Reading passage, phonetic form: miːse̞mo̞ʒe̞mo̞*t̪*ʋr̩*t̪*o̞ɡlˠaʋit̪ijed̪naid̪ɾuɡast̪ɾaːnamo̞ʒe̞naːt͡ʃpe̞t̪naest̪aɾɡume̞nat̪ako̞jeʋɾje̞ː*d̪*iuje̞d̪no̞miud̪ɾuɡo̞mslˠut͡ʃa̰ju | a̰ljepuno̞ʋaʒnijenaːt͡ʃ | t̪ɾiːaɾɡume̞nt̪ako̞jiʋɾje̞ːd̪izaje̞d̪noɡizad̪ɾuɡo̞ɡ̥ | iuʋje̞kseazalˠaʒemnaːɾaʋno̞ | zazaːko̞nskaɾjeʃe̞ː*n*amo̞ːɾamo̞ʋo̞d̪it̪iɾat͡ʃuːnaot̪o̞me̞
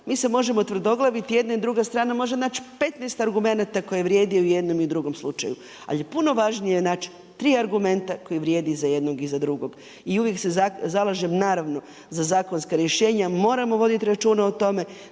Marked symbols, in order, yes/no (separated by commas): yes, no, yes, no